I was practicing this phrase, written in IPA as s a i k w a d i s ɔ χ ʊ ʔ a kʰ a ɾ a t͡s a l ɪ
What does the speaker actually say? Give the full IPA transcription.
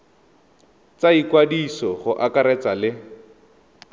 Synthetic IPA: t͡s a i k w a d i s ɔ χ ʊ ʔ a k a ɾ ɛ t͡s a l ɪ